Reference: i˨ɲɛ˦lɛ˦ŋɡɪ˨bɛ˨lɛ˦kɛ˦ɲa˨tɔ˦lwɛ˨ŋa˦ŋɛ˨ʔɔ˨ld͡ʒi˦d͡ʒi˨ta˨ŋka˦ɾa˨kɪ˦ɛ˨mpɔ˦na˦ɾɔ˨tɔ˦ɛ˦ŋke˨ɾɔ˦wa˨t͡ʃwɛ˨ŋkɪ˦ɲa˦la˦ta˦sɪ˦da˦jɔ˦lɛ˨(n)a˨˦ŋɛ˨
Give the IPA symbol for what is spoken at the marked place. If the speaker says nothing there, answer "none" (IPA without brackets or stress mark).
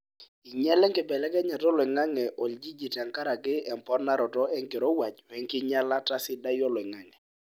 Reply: ŋ